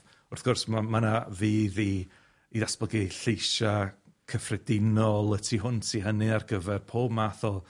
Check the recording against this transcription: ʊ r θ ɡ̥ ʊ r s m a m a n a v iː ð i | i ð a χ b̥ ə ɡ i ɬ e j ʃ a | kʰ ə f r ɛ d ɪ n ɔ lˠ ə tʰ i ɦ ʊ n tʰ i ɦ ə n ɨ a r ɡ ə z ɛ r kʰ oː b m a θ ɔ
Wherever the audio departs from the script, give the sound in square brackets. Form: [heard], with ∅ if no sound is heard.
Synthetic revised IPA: ʊ r θ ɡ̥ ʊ r s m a m a n a v iː ð i | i ð a [s] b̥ ə ɡ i ɬ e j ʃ a | kʰ ə f r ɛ d ɪ n ɔ lˠ ə tʰ i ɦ ʊ n tʰ i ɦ ə n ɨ a r ɡ ə [v] ɛ r [pʰ] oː b m a θ ɔ